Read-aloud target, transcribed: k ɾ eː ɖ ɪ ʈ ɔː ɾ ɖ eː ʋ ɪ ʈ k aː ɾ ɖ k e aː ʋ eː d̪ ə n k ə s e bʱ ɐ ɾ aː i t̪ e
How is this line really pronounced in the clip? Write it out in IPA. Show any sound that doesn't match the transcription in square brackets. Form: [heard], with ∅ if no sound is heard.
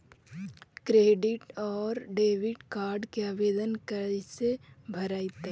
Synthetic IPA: k ɾ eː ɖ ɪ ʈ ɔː ɾ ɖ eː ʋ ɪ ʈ k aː ɾ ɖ k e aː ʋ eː d̪ ə n k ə s e bʱ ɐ ɾ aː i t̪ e